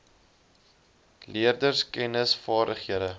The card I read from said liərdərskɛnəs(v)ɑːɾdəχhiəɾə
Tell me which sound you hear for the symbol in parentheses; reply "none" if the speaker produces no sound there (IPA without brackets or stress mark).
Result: f